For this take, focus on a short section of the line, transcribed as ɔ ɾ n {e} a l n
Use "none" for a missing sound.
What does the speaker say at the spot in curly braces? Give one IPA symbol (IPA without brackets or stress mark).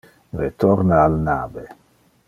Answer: a